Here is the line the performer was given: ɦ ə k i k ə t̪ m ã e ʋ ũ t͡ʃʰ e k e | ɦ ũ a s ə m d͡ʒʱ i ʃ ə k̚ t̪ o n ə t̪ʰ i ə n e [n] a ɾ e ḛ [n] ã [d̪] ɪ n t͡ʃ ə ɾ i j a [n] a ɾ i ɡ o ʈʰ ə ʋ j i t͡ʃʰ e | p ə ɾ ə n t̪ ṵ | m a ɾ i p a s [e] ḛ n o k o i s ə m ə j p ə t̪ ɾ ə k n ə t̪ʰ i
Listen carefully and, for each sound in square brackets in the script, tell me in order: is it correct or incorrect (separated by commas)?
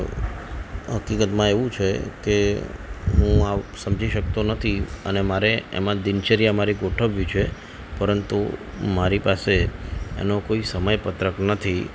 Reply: incorrect, incorrect, correct, incorrect, correct